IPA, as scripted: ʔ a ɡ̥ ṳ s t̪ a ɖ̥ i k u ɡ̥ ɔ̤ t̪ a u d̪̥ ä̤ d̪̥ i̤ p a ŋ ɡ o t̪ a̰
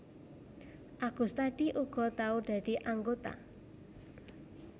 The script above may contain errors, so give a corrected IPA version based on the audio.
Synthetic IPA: ʔ a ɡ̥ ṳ s t̪ a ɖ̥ i ʔ u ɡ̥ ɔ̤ t̪ a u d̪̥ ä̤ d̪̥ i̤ ʔ a ŋ ɡ o t̪ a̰